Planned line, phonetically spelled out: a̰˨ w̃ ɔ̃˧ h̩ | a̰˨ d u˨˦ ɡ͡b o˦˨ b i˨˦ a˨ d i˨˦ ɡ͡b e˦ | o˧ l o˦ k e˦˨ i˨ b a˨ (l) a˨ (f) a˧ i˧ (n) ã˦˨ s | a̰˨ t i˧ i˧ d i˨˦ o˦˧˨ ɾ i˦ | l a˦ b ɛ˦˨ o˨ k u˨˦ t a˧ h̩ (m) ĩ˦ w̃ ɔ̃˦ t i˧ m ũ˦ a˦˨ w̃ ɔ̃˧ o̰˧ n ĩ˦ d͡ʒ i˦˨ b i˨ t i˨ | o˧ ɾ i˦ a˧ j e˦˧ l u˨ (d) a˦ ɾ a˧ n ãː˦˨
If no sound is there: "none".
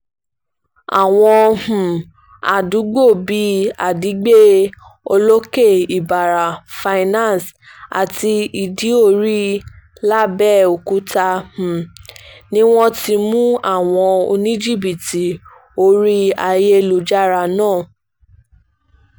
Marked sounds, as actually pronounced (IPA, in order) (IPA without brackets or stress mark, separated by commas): ɾ, f, n, n, d͡ʒ